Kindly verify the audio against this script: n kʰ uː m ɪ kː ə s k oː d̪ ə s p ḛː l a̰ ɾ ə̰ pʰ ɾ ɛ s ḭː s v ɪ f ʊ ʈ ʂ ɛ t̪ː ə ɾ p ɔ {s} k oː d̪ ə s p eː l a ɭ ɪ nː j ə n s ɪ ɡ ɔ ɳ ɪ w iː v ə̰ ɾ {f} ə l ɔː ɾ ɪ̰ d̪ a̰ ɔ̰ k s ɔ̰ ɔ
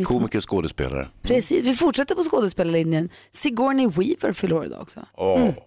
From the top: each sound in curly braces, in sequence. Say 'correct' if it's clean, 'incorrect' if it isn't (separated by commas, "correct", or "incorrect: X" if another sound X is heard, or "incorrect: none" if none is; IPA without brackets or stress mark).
correct, correct